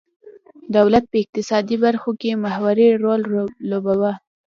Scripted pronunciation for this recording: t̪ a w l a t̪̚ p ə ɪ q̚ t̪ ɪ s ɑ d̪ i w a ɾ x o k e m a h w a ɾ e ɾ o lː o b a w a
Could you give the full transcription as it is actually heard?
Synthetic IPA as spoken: d̪ a w l a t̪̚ p ə ɪ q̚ t̪ ɪ s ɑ d̪ i b a ɾ x o k e m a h w a ɾ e ɾ o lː o b a w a